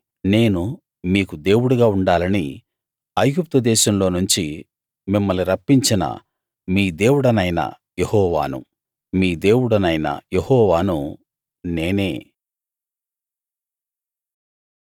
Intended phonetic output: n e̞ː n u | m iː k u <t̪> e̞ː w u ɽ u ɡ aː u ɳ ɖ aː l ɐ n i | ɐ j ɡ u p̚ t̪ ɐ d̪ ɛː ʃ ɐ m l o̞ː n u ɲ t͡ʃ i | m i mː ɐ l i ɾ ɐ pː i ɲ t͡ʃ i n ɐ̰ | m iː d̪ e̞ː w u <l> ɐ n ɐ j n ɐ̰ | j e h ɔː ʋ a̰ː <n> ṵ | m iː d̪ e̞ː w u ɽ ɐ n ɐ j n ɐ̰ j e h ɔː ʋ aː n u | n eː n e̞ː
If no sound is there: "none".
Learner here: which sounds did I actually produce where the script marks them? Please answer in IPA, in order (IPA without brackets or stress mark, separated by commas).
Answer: d̪, ɽ, n